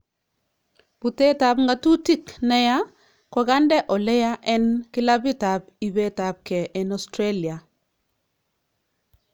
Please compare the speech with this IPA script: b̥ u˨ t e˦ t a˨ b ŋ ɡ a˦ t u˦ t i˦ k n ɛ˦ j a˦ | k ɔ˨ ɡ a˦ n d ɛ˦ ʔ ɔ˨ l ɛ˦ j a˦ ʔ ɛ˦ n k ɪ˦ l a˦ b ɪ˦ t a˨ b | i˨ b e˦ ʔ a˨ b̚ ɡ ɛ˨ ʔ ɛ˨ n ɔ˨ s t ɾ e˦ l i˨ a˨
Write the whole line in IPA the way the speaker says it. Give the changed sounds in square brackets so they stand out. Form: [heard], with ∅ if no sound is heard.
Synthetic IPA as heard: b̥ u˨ t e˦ t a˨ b ŋ ɡ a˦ t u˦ t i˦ k n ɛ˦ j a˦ | k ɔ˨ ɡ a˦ n d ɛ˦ ʔ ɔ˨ l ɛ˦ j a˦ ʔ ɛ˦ n k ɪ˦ l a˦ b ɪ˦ t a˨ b | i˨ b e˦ [t] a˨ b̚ [k] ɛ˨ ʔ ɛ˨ n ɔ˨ s t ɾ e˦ l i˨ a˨

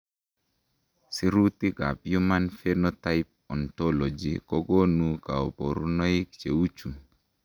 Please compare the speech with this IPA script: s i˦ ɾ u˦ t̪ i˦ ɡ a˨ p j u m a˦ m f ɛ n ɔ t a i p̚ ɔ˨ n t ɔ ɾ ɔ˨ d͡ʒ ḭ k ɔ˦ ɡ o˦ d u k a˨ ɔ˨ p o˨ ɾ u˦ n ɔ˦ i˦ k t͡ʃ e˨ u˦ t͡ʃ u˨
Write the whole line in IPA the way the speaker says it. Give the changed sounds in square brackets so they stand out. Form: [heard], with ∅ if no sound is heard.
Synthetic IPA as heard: s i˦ ɾ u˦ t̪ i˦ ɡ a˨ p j u m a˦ [n] f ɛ n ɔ t a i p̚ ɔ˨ n t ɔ [l] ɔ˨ d͡ʒ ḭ k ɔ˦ ɡ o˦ [n] u k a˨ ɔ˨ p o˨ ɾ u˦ n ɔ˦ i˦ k t͡ʃ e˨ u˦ t͡ʃ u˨

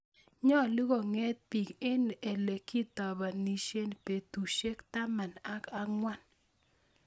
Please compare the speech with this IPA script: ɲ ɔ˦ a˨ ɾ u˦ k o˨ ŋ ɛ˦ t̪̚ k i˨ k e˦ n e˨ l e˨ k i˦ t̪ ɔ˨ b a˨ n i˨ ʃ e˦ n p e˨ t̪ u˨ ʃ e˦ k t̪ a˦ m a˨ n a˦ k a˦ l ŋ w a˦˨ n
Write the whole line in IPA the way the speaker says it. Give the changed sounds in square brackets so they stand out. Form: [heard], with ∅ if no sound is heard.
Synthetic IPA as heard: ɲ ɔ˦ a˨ [l] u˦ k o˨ ŋ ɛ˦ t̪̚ [p] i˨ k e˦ n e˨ l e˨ k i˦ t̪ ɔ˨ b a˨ n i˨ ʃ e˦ n p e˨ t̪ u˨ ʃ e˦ k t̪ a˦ m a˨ n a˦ k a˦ [∅] ŋ w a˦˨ n

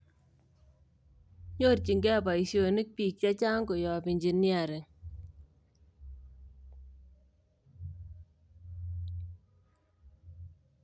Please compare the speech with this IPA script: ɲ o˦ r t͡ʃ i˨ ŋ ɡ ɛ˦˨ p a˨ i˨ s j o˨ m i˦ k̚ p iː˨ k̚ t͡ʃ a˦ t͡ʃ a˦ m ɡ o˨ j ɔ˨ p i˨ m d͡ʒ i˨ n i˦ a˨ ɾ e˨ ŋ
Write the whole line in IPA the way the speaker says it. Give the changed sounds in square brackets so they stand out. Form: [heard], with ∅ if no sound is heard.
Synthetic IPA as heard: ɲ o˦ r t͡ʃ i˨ ŋ ɡ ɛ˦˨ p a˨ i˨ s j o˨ [n] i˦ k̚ p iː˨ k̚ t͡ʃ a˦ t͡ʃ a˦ [ŋ] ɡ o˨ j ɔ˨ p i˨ [ɲ] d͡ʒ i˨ n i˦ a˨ ɾ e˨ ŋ

